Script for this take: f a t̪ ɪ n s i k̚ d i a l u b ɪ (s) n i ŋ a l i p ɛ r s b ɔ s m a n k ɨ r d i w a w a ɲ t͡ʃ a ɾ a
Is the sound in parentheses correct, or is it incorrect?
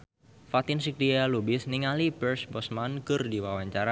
correct